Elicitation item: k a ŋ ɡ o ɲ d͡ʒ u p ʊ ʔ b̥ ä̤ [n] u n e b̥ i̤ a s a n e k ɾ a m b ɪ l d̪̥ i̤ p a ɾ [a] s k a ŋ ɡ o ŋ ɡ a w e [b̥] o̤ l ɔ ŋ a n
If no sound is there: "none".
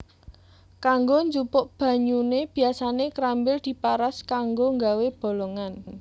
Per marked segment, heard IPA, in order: ɲ, a, b̥

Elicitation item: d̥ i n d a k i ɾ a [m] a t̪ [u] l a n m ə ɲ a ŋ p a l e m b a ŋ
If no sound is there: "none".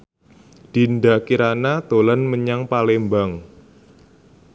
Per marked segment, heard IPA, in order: n, o

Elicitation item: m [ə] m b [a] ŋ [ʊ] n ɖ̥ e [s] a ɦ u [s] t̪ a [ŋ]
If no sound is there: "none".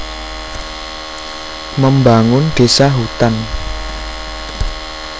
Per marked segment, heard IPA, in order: ə, a, ʊ, s, none, n

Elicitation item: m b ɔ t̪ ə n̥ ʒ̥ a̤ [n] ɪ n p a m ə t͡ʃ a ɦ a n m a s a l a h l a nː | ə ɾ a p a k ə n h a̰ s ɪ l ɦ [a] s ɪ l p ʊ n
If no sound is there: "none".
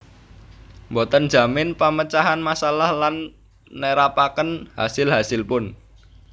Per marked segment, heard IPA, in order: m, a

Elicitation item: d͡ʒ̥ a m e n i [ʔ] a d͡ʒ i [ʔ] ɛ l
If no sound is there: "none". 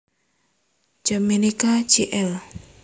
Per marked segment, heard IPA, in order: k, ʔ

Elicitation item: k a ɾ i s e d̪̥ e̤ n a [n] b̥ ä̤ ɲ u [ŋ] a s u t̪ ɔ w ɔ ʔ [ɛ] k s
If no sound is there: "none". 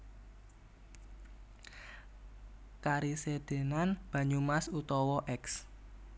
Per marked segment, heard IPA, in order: n, m, ɛ

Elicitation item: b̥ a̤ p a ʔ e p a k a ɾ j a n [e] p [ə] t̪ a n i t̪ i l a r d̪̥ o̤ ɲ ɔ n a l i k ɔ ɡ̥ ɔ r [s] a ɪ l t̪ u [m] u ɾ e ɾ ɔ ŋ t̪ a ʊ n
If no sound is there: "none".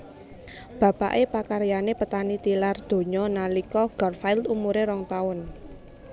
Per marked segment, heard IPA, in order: e, ə, f, m

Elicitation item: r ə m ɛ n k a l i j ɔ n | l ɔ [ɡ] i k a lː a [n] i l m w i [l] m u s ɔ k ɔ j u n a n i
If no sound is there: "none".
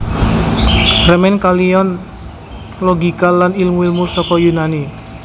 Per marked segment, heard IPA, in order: ɡ, n, l

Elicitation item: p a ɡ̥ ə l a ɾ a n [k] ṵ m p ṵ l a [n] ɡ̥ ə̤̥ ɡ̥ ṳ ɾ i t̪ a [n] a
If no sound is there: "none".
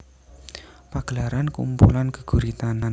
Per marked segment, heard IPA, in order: k, n, n

